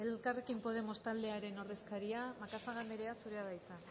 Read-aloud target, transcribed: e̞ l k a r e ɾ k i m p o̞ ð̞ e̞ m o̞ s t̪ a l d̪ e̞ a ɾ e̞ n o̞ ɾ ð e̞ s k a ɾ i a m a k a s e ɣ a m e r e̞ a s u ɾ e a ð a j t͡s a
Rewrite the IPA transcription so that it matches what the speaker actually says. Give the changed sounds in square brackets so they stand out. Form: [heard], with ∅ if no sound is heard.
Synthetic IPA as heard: e̞ l k a r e [∅] k i m p o̞ ð̞ e̞ m o̞ s t̪ a l d̪ e̞ a ɾ e̞ n o̞ ɾ ð e̞ s k a ɾ i a m a k a s [a] ɣ a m e [ɾ] e̞ a s u ɾ e a ð a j t͡s a